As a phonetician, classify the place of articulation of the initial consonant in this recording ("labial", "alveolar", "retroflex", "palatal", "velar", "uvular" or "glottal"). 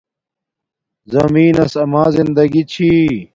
alveolar